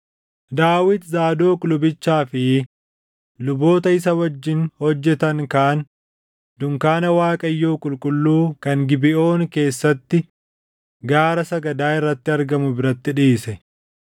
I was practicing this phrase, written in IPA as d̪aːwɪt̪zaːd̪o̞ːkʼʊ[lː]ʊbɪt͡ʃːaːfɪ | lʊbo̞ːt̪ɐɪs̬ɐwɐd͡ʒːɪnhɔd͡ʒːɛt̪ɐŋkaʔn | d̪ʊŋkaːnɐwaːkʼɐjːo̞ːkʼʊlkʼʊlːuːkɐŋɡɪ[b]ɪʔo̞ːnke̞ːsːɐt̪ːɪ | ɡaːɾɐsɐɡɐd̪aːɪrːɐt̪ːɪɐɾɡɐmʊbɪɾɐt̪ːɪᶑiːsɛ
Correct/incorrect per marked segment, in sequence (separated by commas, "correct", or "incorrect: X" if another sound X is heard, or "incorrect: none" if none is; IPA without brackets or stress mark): incorrect: l, correct